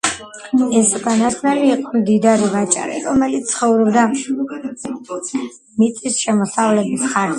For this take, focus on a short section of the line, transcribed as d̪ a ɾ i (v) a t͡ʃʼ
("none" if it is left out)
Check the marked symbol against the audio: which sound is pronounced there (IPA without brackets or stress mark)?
v